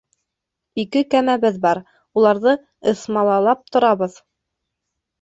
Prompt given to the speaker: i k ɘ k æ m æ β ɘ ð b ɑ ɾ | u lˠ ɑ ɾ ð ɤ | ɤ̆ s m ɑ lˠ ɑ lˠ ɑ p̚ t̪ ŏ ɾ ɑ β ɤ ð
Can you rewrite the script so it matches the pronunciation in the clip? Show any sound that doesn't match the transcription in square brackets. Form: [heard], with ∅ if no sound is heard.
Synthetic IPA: i k ɘ k æ m æ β ɘ ð b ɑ ɾ | u lˠ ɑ ɾ ð ɤ | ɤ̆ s m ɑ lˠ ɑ lˠ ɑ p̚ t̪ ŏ ɾ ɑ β ɤ ð